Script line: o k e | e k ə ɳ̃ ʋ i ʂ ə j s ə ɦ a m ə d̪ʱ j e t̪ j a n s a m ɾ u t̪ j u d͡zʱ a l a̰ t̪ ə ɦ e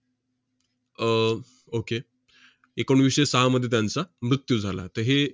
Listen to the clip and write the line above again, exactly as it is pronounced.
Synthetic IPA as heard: o k e | e k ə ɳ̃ ʋ i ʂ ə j s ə ɦ a m ə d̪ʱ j e t̪ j a n t͡s a m ɾ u t̪ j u d͡zʱ a l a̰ t̪ ə ɦ e